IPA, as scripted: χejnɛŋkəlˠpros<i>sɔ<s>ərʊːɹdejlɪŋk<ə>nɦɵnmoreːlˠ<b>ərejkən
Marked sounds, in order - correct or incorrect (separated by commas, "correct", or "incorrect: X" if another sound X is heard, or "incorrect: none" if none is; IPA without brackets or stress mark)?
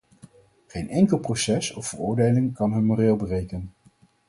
incorrect: ɛ, incorrect: f, incorrect: ɑ, correct